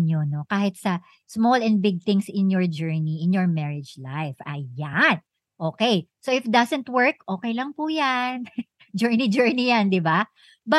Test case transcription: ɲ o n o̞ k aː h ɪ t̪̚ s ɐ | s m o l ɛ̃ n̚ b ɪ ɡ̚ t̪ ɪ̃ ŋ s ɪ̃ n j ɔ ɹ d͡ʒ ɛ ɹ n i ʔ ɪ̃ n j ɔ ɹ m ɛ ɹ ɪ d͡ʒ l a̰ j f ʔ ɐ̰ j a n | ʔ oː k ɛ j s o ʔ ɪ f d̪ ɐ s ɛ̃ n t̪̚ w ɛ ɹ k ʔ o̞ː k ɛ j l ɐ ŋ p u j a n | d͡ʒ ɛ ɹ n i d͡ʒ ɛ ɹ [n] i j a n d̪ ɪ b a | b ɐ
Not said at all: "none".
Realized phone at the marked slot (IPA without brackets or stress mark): n